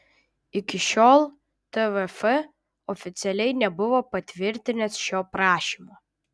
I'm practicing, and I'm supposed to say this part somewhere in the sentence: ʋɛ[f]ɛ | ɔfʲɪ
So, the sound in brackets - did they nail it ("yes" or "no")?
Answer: yes